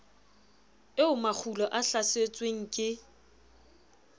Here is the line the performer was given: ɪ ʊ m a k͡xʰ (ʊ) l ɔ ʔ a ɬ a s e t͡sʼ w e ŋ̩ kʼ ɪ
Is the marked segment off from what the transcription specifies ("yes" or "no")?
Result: yes